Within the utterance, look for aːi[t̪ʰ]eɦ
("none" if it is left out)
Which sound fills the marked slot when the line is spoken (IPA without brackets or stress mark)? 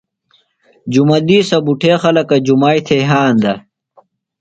t̪ʰ